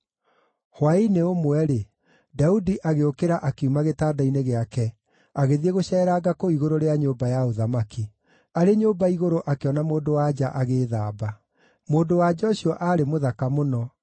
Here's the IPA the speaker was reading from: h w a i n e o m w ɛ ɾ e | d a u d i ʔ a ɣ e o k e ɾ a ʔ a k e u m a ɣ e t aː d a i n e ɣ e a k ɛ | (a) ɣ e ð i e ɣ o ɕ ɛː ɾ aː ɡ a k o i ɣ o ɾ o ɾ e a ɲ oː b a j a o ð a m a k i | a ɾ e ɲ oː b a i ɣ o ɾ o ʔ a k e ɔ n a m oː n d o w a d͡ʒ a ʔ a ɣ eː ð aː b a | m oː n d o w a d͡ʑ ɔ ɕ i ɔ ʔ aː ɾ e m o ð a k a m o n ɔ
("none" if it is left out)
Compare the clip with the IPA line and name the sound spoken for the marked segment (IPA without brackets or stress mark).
a